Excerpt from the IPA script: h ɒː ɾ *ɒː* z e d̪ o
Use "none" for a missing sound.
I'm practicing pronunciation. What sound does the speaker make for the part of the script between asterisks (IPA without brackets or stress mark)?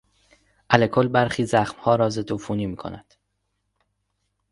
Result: ɒː